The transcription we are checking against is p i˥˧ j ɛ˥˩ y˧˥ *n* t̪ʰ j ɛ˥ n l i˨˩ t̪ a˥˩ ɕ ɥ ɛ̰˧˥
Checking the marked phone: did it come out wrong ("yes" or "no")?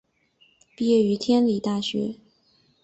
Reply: yes